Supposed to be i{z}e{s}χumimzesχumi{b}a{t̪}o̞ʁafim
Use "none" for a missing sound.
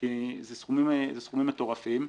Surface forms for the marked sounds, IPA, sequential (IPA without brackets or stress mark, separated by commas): z, s, m, t̪